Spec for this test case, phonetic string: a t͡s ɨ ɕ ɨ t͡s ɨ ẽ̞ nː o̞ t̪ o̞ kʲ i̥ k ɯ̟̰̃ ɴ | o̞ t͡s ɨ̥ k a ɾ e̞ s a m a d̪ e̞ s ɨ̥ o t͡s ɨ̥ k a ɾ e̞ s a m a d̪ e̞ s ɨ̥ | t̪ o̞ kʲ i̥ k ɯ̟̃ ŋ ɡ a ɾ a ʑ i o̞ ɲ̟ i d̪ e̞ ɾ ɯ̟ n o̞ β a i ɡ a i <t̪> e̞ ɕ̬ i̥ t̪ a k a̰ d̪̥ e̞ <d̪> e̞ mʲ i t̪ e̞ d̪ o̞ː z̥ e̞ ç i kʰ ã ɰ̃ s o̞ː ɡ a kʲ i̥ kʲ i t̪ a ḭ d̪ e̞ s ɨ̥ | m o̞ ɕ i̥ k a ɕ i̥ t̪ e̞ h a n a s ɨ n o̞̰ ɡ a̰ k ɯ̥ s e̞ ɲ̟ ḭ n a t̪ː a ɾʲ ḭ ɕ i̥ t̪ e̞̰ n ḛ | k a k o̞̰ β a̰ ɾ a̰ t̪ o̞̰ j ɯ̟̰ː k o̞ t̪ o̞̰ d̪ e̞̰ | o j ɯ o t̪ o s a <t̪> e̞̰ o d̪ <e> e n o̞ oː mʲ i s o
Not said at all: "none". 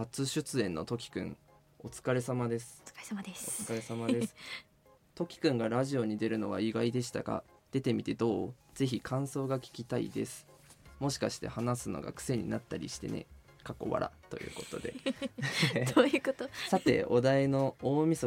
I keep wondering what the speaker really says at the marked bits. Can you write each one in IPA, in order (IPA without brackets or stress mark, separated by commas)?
d̪, t̪, t̪, a